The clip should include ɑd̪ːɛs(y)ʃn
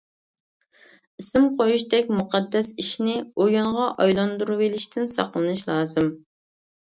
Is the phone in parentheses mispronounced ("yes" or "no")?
yes